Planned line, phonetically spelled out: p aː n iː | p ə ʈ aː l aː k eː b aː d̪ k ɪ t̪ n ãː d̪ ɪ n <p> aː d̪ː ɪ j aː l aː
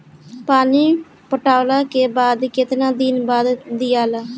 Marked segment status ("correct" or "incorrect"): incorrect